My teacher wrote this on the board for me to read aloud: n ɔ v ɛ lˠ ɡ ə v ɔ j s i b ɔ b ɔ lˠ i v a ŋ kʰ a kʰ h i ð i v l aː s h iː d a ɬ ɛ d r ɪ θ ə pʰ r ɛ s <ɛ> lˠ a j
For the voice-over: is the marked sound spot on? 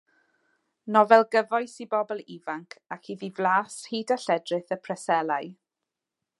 yes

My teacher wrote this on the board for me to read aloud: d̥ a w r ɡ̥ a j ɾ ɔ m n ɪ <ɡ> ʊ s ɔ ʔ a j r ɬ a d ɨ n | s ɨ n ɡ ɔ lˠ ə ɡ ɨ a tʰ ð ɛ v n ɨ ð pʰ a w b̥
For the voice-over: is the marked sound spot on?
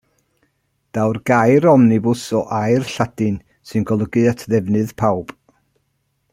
no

